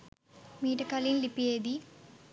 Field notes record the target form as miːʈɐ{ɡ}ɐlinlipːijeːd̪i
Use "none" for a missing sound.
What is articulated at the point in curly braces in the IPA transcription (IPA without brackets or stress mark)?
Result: k